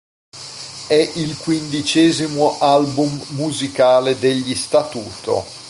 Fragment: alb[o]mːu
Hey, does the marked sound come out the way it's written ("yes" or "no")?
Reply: no